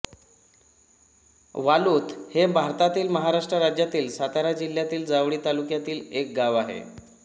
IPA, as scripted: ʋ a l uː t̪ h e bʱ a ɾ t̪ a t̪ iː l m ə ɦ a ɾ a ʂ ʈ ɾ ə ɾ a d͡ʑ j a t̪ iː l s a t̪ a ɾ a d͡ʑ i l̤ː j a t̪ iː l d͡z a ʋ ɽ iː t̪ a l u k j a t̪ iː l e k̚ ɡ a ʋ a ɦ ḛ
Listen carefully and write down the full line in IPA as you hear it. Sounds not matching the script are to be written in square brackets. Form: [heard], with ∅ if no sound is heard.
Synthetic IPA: ʋ a l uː t̪ h e bʱ a ɾ t̪ a t̪ iː l m ə ɦ a ɾ a ʂ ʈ ɾ ə ɾ a d͡ʑ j a t̪ iː l s a t̪ a ɾ a d͡ʑ i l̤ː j a t̪ iː l d͡z a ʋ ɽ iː t̪ a l u k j a t̪ iː l e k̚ ɡ a ʋ a ɦ ḛ